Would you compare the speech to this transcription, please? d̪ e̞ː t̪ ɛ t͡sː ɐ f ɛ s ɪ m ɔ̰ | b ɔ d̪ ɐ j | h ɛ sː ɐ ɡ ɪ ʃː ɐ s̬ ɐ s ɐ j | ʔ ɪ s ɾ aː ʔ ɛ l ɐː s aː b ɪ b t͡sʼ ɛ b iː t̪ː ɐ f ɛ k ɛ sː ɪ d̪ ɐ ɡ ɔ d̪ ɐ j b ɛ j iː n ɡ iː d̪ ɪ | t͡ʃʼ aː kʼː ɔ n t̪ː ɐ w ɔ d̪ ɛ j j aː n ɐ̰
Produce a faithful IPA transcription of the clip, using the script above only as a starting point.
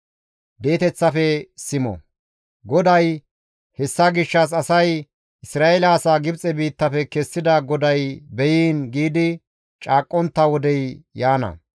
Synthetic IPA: d̪ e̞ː t̪ ɛ t͡sː ɐ f ɛ s ɪ m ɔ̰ | ɡ ɔ d̪ ɐ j | h ɛ sː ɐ ɡ ɪ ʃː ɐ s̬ ɐ s ɐ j | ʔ ɪ s ɾ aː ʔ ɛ l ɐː s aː ɡ ɪ b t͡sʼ ɛ b iː t̪ː ɐ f ɛ k ɛ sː ɪ d̪ ɐ ɡ ɔ d̪ ɐ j b ɛ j iː n ɡ iː d̪ ɪ | t͡ʃʼ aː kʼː ɔ n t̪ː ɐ w ɔ d̪ ɛ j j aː n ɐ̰